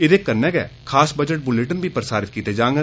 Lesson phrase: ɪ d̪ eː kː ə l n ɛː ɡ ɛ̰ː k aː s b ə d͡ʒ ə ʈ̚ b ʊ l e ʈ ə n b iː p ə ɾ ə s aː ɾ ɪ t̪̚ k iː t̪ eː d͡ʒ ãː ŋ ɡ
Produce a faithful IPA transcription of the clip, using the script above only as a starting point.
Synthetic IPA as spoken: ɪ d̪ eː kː ə ɾ n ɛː ɡ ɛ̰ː kʰ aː s b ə d͡ʒ ə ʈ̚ b ʊ l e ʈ ə n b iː p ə ɾ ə s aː ɾ ɪ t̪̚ k iː t̪ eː d͡ʒ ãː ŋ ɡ